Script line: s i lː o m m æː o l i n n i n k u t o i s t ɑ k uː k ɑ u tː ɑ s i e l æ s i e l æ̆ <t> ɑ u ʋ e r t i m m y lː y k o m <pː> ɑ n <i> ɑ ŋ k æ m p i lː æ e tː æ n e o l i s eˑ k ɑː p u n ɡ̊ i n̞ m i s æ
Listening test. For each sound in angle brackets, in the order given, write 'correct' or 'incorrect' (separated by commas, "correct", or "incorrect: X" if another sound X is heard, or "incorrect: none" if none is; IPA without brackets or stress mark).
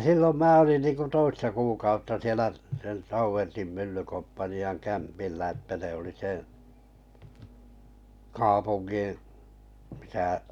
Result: correct, correct, correct